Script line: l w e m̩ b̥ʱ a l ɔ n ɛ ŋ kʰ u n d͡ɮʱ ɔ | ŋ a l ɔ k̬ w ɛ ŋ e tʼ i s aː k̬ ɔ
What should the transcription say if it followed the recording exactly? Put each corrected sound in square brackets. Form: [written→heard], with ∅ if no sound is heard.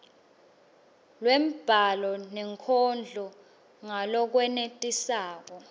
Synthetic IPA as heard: l w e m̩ b̥ʱ a l ɔ n ɛ ŋ kʰ [u→ɔ] n d͡ɮʱ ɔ | ŋ a l ɔ k̬ w ɛ [ŋ→n] e tʼ i s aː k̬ ɔ